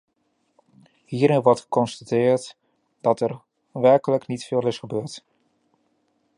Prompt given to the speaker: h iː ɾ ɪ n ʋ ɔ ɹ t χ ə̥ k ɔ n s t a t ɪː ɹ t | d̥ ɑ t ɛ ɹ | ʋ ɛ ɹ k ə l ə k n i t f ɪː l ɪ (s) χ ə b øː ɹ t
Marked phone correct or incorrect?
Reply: correct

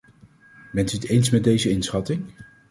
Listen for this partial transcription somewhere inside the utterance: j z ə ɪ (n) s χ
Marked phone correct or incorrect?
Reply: correct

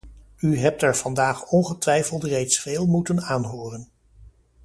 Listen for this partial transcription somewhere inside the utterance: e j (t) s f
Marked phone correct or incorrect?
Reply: correct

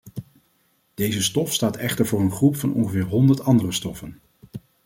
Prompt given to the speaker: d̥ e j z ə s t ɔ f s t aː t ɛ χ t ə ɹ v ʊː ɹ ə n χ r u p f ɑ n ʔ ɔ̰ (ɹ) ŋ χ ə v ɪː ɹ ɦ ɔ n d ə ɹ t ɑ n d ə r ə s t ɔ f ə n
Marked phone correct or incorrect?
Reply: incorrect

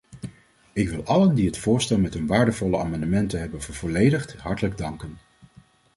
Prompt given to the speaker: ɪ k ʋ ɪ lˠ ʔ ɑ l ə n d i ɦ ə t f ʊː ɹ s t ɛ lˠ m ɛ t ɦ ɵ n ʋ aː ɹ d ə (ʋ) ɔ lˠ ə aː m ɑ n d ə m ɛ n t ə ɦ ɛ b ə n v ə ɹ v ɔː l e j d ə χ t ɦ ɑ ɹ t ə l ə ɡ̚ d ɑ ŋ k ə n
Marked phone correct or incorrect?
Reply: incorrect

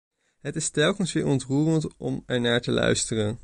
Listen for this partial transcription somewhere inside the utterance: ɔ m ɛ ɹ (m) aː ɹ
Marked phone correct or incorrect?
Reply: incorrect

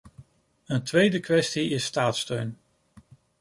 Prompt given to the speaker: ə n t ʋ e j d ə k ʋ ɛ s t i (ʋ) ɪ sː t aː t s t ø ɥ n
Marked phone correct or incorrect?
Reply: incorrect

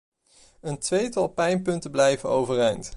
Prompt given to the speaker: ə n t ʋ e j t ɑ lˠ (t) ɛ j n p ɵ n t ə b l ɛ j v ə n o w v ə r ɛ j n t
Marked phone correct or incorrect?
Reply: incorrect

